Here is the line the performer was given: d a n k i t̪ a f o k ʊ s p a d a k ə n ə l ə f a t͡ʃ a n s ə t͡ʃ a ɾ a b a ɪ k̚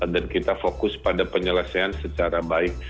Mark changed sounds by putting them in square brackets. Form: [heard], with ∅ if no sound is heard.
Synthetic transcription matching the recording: d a n k i t̪ a f o k ʊ s p a d a [p] ə [ɲ] ə l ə [s] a [∅] a n s ə t͡ʃ a ɾ a b a ɪ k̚